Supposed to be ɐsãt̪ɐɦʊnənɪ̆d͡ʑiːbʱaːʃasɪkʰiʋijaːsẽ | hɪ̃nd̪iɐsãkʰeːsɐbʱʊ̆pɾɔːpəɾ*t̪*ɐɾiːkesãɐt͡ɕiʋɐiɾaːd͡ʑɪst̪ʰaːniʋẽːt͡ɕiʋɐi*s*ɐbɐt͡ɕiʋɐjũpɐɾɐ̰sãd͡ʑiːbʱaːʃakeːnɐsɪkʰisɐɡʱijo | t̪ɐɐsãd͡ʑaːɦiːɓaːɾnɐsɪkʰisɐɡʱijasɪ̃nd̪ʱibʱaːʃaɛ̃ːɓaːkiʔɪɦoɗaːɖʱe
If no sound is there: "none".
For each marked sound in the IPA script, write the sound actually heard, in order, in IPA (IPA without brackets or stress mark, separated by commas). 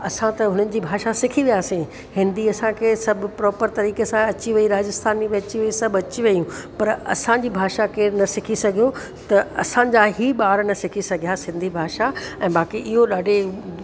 t̪, s